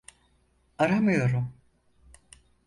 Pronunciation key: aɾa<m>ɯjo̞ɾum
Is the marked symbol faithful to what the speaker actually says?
yes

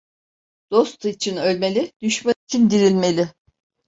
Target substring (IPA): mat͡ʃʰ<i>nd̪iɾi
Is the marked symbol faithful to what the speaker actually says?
yes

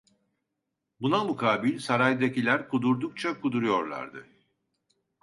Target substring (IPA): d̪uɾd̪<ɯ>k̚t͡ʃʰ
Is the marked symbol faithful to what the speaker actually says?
no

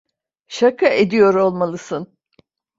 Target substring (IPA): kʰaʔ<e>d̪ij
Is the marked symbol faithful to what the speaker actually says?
yes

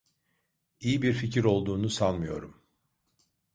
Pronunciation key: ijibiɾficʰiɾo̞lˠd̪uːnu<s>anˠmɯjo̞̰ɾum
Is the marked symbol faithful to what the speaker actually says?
yes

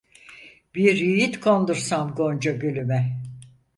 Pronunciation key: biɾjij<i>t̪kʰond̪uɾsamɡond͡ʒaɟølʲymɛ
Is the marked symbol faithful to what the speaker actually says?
yes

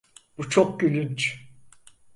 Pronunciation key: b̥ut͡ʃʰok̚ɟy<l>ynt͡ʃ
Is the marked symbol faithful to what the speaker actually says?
yes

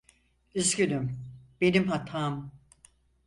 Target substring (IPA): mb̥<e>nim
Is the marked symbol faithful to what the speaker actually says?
yes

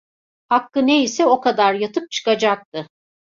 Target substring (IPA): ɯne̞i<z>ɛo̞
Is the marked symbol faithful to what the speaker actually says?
no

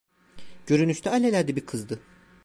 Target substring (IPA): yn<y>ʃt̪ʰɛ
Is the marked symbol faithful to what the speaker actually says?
yes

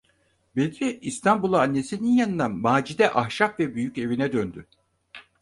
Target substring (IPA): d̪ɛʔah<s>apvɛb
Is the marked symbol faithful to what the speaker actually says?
no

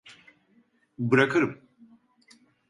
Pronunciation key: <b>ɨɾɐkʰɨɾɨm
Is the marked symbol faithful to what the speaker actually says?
yes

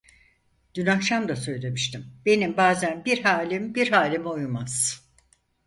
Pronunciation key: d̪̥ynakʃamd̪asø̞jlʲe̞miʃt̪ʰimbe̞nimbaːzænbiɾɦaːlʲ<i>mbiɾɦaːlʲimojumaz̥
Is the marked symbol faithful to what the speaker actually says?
yes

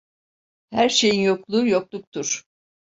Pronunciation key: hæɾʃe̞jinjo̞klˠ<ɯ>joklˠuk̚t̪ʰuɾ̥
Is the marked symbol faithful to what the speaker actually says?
no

